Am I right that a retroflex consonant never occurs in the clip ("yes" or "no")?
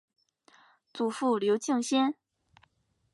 yes